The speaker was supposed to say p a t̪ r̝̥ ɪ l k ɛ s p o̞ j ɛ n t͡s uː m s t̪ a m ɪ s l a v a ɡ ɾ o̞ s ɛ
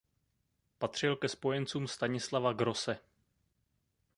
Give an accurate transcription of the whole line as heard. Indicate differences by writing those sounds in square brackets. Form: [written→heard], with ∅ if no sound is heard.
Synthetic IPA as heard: p a t̪ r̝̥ ɪ l k ɛ s p o̞ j ɛ n t͡s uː m s t̪ a [m→ɲ] ɪ s l a v a ɡ ɾ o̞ s ɛ